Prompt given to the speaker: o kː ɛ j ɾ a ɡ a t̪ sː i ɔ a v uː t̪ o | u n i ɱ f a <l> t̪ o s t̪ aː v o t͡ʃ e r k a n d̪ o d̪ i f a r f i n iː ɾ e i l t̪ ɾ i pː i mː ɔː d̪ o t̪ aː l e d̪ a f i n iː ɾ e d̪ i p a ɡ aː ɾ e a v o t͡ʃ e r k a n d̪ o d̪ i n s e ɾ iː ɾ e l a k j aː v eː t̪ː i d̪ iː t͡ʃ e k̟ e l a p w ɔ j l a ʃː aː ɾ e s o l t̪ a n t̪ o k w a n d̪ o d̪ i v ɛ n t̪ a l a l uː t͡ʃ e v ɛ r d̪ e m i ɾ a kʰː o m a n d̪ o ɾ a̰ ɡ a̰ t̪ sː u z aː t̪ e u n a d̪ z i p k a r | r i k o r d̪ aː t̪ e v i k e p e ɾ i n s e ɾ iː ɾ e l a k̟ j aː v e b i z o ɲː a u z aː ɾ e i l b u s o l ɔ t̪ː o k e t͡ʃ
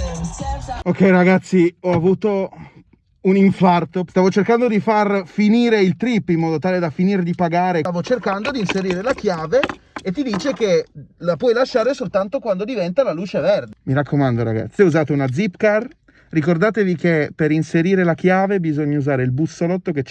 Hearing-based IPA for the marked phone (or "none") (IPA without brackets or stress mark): r